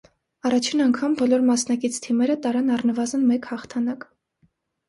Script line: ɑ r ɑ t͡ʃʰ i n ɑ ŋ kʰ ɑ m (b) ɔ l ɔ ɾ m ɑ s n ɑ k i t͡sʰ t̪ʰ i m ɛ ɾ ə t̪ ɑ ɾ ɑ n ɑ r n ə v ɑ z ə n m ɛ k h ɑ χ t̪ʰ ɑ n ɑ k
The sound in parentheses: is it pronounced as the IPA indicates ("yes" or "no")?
yes